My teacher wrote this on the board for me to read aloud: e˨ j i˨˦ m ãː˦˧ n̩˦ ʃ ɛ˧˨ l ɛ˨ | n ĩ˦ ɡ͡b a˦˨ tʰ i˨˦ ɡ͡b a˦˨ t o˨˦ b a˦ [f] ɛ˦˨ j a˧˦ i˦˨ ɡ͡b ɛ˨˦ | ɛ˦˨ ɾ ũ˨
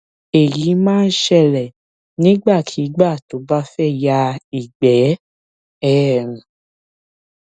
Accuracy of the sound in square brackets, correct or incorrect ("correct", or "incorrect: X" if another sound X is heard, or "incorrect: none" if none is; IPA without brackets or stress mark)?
correct